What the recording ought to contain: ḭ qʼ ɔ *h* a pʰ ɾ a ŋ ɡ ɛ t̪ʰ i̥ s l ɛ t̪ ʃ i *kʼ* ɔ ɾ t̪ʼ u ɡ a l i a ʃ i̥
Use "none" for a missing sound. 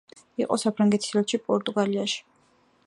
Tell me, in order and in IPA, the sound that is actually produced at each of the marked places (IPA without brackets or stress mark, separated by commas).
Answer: s, pʼ